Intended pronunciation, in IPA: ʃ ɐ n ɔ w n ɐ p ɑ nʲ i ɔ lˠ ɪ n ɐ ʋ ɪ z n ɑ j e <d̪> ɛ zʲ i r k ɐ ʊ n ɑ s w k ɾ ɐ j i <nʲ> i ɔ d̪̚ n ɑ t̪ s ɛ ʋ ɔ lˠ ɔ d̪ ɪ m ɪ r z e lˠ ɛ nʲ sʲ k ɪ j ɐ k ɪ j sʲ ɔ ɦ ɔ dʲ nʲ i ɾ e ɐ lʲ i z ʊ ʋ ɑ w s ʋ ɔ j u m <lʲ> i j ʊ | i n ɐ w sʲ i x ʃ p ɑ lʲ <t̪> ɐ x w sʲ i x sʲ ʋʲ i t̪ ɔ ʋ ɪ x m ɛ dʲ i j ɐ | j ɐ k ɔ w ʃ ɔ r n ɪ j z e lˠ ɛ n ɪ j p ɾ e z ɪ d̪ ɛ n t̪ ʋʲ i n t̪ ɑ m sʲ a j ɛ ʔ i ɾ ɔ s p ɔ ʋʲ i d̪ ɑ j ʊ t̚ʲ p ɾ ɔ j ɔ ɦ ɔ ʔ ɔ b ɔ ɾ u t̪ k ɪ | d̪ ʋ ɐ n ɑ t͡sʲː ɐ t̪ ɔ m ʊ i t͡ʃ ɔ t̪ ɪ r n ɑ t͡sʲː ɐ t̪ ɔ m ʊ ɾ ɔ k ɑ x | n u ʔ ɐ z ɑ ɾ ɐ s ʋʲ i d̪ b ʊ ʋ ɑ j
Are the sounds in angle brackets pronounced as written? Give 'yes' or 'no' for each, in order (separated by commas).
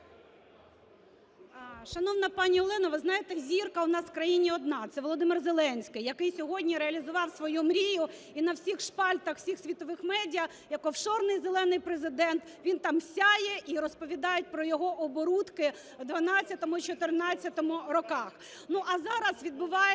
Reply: no, yes, no, yes